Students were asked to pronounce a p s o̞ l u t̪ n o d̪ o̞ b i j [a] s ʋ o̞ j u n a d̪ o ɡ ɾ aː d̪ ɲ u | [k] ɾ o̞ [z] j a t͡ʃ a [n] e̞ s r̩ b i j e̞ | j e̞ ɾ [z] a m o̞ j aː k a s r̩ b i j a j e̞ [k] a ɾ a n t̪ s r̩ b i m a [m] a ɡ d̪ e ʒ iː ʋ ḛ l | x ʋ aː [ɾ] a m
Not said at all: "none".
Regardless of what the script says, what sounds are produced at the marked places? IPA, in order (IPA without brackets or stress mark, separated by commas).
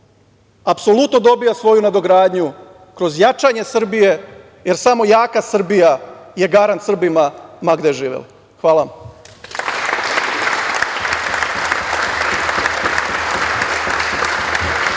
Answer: a, k, z, ɲ, s, ɡ, m, l